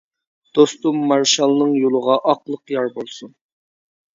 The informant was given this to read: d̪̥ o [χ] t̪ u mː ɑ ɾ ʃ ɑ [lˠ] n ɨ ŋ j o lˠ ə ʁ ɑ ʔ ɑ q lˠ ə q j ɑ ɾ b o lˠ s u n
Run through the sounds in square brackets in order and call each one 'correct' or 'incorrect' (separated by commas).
incorrect, correct